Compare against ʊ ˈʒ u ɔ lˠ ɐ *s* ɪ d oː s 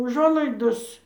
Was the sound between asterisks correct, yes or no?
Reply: no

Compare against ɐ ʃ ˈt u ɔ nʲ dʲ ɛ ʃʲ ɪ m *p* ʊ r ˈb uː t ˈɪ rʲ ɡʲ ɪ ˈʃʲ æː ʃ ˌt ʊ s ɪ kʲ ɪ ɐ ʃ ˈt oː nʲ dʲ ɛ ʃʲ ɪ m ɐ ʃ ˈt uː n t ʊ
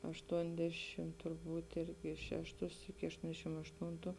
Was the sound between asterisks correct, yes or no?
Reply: no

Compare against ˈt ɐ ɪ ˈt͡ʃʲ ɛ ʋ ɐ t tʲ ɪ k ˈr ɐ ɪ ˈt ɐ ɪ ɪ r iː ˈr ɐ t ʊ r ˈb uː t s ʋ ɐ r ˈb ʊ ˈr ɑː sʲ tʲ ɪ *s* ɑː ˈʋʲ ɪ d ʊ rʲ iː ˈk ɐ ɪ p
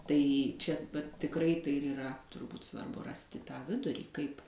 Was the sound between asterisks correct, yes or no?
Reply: no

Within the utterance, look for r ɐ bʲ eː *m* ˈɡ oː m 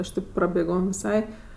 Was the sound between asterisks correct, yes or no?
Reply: no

